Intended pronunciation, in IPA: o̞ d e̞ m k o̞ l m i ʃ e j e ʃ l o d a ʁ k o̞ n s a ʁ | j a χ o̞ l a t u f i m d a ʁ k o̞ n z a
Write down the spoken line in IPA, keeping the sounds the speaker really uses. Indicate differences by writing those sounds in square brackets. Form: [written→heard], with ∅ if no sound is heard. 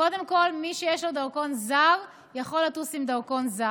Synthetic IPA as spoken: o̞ d e̞ m k o̞ l m i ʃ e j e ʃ l o d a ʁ k o̞ n [s→z] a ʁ | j a χ o̞ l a t u [f→s] i m d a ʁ k o̞ n z a